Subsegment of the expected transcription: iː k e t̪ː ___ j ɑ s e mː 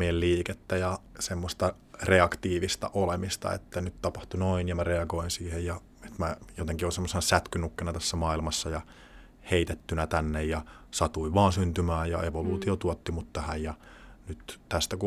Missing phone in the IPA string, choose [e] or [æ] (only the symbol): æ